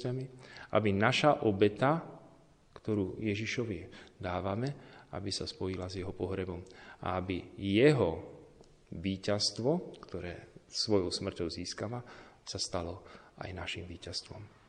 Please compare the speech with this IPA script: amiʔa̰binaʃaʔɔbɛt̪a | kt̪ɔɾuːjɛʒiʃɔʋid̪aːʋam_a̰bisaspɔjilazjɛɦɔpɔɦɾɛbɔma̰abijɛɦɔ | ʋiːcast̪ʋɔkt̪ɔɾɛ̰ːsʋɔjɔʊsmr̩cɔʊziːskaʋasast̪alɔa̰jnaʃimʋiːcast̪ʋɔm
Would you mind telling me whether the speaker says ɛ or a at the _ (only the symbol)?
ɛ